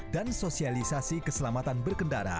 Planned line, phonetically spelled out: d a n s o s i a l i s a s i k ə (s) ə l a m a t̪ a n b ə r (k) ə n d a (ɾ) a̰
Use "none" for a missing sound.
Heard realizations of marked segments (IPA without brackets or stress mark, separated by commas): s, k, ɾ